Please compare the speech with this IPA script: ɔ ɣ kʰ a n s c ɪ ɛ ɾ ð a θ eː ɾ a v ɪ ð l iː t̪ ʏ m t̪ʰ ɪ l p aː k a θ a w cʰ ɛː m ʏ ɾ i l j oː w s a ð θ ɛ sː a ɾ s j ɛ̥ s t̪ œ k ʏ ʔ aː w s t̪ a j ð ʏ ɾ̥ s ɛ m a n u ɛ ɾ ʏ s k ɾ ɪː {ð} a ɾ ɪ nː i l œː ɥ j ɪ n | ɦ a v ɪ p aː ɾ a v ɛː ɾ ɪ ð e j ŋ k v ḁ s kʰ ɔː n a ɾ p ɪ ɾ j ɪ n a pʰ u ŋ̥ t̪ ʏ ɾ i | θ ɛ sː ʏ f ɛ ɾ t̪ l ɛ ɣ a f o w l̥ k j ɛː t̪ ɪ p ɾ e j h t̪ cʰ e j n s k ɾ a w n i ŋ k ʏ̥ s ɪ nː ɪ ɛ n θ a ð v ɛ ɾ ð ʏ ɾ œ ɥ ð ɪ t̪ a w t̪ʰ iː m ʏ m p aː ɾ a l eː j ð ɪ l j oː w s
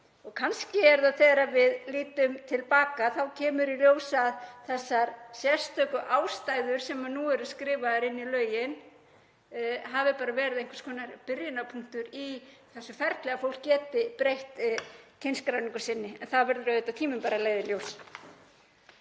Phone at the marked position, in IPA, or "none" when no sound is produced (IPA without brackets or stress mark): v